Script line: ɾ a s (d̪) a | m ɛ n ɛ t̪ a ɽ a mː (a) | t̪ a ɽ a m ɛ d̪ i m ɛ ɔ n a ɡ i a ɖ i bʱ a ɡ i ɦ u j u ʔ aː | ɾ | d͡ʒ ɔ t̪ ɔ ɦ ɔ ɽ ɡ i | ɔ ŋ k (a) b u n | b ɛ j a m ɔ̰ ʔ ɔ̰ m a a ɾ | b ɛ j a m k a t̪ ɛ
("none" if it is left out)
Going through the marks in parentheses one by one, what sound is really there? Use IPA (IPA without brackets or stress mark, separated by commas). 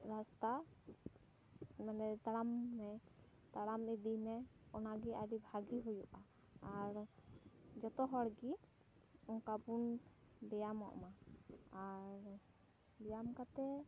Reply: t̪, ɛ, a